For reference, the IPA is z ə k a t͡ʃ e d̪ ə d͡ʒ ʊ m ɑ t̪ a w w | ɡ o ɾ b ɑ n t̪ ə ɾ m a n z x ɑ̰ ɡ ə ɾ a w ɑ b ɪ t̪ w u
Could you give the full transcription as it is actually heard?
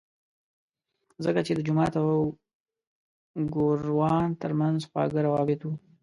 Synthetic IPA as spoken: z ə k a t͡ʃ e d̪ ə d͡ʒ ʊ m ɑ t̪ a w w | ɡ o ɾ w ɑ n t̪ ə ɾ m a n z x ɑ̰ ɡ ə ɾ a w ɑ b ɪ t̪ w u